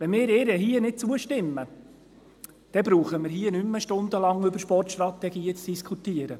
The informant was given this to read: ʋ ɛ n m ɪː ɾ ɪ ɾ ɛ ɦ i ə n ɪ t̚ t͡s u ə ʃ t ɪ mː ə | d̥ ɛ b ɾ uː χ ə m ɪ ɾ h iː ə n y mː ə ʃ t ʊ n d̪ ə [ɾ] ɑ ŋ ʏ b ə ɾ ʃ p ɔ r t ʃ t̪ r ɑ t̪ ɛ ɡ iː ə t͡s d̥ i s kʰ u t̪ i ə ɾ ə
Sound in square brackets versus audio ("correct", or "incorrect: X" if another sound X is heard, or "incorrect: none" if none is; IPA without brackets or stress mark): incorrect: l